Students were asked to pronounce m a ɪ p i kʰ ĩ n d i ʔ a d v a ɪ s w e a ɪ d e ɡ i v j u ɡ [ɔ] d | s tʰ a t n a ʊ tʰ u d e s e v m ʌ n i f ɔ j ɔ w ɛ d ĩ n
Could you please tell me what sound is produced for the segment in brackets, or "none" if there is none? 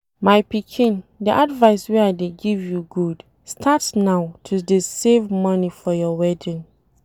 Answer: u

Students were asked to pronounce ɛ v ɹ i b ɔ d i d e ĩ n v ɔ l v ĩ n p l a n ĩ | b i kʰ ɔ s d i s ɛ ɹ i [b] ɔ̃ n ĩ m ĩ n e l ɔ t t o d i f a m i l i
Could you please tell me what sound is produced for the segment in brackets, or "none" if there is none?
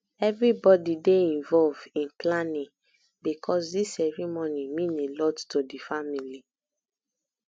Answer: m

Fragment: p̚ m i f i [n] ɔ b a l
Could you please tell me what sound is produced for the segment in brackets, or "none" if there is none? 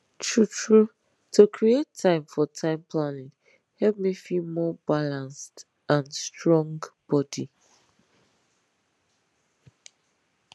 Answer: m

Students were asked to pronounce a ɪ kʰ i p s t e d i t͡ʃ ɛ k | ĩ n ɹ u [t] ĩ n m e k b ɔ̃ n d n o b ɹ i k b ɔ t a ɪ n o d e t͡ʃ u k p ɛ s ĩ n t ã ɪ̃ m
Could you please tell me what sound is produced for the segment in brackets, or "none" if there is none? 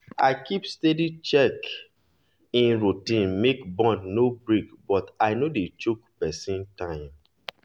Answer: t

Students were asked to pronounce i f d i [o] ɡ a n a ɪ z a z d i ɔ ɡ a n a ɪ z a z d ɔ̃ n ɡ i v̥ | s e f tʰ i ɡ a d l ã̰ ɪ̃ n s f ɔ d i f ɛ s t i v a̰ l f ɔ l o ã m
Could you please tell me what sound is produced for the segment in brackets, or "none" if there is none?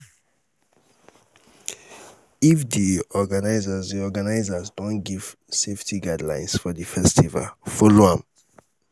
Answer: ɔ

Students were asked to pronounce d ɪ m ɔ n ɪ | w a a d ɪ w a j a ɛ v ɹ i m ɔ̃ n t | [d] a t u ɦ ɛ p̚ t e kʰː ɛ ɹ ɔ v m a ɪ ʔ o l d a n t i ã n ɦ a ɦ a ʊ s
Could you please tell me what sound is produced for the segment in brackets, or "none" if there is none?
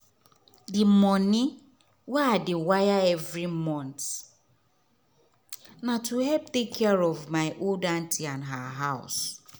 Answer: n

